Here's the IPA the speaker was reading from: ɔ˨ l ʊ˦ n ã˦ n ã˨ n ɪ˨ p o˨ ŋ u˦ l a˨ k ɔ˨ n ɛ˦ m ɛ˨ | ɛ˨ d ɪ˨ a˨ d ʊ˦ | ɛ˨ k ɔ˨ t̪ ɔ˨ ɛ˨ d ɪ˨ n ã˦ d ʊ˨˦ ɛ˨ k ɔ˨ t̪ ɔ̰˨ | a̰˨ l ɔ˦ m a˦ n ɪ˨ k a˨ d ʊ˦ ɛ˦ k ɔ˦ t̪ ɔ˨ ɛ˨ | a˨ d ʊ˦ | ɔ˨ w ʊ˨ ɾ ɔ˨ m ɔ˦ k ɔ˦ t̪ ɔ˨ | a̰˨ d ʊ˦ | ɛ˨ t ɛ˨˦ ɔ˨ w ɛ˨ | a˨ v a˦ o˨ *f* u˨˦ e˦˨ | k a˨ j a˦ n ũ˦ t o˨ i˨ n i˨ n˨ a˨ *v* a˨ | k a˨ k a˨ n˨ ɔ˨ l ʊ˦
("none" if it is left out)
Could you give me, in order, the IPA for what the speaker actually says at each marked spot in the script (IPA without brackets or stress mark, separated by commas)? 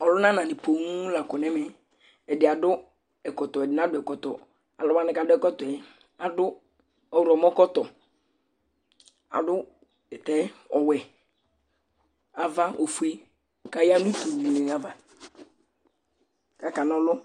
f, v